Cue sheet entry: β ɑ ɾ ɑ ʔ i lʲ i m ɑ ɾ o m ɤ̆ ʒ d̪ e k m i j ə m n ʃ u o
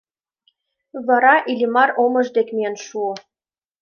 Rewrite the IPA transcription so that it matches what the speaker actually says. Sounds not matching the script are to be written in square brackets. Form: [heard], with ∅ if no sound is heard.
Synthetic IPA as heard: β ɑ ɾ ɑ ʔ i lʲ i m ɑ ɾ o m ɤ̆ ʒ d̪ e k m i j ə [∅] n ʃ u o